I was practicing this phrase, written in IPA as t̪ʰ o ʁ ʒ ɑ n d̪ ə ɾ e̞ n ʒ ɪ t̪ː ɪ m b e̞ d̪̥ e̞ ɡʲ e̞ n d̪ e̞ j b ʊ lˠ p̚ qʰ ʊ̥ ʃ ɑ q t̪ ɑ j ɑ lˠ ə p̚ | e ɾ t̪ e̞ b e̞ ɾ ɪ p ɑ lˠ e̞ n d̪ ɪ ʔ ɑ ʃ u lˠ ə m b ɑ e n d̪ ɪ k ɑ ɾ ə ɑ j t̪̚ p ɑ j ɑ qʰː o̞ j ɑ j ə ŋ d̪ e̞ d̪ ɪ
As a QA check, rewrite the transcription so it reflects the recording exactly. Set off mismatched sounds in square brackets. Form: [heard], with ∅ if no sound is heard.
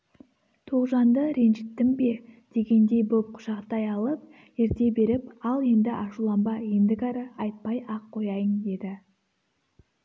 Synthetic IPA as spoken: t̪ʰ o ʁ ʒ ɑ n d̪ ə ɾ e̞ n ʒ ɪ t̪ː ɪ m b e̞ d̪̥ e̞ ɡʲ e̞ n d̪ e̞ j b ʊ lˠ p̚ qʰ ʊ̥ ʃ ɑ q t̪ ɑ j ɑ lˠ ə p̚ | e ɾ t̪ e̞ b e̞ ɾ ɪ p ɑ lˠ e̞ n d̪ ɪ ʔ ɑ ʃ u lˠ [ɑ] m b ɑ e n d̪ ɪ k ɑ ɾ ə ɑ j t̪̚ p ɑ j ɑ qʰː o̞ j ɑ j ə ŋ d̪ e̞ d̪ ɪ